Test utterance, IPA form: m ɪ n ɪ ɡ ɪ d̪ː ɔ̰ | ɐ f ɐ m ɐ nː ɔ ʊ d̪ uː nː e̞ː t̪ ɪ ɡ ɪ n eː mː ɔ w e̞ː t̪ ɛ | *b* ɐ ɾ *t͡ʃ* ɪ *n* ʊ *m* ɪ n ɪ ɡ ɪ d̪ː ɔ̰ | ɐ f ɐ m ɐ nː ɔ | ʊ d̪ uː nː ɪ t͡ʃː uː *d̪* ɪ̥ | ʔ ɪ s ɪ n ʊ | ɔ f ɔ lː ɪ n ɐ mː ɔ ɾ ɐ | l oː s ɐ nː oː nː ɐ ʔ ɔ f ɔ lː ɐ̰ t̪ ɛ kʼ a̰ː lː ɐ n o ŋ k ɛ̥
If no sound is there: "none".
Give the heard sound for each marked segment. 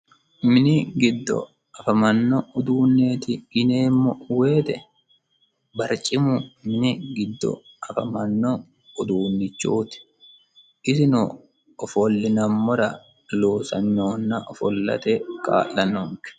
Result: b, t͡ʃʼ, m, m, t̪

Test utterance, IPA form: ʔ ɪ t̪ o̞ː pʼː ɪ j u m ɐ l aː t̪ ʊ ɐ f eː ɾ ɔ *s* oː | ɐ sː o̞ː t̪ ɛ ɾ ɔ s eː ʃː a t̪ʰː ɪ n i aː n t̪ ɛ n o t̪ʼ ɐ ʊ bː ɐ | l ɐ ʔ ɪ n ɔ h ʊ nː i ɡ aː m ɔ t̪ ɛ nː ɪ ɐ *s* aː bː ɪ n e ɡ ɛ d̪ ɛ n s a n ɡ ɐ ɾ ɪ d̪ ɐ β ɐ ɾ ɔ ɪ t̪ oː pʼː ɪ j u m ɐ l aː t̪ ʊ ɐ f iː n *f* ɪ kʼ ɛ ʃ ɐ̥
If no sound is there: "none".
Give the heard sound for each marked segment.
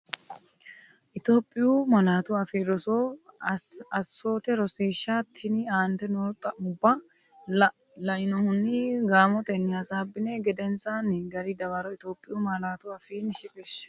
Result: s, s, ʃ

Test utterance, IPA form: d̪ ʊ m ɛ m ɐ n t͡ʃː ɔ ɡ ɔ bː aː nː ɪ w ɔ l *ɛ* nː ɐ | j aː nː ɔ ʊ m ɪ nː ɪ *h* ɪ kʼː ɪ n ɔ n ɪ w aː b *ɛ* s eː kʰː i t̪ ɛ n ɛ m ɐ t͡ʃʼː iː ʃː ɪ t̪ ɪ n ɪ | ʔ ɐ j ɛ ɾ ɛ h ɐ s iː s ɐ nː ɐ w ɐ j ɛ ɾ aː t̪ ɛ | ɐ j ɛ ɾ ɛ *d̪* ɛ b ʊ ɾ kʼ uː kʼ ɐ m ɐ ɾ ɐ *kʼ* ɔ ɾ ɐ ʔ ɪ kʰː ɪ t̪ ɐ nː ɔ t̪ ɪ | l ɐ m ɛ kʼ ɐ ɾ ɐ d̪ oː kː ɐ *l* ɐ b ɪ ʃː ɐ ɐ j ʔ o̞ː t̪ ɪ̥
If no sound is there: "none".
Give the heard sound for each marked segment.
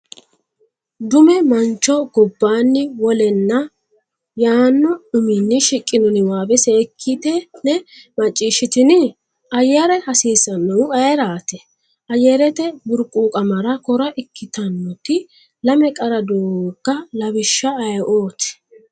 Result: ɛ, ʃ, ɛ, t̪, k, l

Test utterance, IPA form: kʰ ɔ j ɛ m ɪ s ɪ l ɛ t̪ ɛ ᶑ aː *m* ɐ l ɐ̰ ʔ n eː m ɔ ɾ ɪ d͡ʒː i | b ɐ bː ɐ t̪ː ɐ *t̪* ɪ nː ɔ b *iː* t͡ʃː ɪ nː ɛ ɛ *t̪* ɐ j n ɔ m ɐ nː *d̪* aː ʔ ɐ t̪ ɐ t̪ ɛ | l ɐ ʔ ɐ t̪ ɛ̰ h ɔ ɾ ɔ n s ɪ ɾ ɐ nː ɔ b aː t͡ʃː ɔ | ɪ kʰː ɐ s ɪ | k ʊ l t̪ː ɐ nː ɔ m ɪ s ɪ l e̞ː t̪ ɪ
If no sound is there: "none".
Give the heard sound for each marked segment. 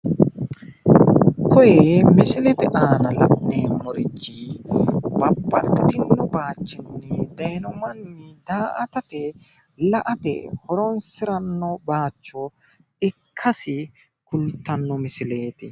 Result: n, t̪, aː, d̪, d̪

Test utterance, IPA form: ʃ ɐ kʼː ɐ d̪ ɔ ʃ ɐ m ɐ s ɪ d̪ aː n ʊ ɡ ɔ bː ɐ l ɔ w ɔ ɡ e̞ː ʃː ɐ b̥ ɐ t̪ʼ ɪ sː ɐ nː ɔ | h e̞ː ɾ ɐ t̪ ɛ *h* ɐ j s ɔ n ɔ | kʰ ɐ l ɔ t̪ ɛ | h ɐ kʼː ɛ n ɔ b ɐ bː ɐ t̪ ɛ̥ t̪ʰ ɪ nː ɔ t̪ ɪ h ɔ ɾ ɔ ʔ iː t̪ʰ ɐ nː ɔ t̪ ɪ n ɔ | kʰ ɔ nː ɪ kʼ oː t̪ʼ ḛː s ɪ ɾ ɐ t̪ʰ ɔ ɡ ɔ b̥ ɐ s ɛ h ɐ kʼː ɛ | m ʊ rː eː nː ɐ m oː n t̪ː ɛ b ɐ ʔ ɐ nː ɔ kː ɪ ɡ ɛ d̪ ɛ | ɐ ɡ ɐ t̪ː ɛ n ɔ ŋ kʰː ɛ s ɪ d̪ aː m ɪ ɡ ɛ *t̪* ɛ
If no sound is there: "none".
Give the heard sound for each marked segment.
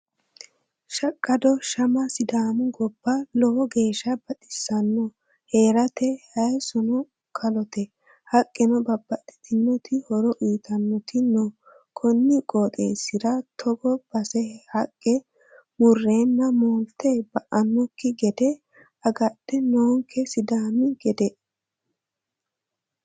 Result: h, d̪

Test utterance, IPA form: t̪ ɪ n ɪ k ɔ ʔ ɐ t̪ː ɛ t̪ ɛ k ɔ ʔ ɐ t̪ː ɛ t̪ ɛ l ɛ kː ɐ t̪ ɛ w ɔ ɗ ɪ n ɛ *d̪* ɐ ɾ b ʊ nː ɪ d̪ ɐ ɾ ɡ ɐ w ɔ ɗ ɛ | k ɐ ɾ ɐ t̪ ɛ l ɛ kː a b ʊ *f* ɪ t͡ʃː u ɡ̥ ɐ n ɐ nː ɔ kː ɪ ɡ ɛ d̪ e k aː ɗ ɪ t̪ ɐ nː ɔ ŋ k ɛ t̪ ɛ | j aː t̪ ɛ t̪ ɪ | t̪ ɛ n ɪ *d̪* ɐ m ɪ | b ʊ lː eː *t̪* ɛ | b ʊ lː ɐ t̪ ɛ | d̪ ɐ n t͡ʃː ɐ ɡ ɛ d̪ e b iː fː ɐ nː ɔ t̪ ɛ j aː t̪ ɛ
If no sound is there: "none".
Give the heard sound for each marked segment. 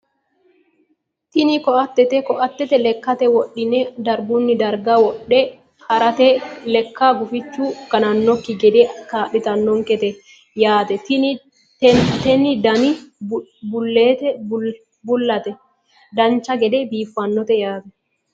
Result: d̪, f, d̪, t̪

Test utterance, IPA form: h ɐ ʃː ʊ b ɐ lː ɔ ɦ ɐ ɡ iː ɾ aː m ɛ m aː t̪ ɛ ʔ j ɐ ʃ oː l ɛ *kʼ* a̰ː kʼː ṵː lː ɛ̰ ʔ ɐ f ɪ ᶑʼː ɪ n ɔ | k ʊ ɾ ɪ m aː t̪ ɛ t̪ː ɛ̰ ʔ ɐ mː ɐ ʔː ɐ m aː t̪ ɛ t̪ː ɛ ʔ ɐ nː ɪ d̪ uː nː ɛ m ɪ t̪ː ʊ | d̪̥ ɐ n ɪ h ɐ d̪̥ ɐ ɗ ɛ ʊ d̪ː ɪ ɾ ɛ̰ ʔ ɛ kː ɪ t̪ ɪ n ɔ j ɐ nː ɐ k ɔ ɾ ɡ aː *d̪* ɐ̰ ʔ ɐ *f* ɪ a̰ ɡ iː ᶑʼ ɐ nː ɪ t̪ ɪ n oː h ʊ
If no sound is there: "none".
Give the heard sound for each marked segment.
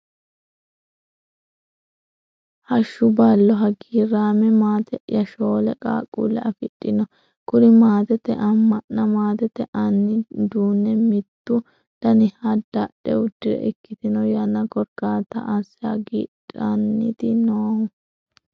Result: kʼ, t̪, s

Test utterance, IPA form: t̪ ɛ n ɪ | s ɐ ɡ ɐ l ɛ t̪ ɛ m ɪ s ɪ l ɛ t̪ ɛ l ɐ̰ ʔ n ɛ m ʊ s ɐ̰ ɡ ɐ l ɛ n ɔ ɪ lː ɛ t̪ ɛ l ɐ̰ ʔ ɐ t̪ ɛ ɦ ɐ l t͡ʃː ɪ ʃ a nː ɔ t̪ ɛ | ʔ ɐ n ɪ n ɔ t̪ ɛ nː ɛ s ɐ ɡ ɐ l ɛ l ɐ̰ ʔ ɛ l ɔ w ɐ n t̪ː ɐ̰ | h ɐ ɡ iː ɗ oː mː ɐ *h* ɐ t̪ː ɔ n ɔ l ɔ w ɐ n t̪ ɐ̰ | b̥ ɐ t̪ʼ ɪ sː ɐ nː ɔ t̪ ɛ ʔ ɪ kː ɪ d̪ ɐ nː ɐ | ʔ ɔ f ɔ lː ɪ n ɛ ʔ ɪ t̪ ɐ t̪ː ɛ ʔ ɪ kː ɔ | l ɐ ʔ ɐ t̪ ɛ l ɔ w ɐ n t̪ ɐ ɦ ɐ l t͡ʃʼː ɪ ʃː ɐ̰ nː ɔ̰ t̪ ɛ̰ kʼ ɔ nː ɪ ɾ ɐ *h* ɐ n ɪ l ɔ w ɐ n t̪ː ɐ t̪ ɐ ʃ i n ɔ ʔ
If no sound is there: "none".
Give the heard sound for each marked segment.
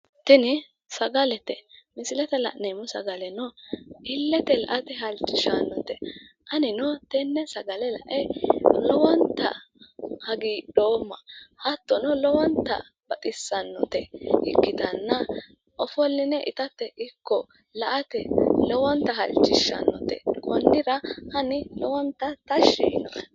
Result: h, h

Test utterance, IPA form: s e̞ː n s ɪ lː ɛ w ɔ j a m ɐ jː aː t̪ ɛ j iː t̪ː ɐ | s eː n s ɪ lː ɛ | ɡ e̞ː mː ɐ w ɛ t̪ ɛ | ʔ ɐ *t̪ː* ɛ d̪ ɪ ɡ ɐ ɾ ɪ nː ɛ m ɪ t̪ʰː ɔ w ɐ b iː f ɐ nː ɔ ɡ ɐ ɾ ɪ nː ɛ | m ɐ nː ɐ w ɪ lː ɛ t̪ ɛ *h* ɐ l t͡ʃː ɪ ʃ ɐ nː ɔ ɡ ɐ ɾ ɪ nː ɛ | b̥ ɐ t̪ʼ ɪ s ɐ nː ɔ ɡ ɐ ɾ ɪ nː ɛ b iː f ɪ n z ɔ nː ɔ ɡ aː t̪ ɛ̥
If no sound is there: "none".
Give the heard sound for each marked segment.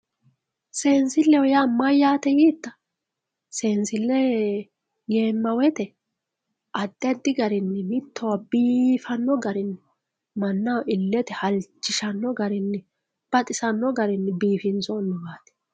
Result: d̪ː, h

